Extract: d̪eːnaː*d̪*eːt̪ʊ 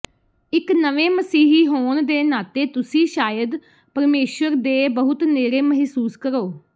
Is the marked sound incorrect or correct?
incorrect